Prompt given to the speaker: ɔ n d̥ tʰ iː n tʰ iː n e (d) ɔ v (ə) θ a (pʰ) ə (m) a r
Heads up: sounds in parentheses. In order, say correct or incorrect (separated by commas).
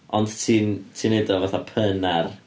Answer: correct, incorrect, correct, incorrect